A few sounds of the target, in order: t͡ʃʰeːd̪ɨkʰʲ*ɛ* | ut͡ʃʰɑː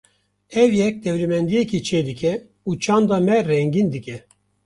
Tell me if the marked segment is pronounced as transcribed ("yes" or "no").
yes